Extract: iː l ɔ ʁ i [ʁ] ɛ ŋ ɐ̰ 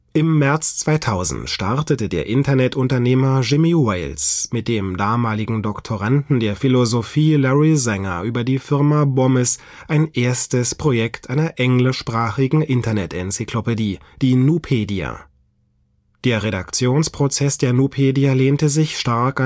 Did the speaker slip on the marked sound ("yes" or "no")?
yes